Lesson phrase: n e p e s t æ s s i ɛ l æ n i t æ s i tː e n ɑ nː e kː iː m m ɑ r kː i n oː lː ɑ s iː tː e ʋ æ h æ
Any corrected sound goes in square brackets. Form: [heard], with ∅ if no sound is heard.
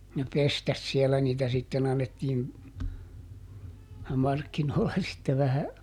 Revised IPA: n e p e s t æ s s i ɛ l æ n [iː] t æ s i tː e n ɑ nː e [tː] iː [n] m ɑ r kː i n oː lː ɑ s [i] tː e ʋ æ h æ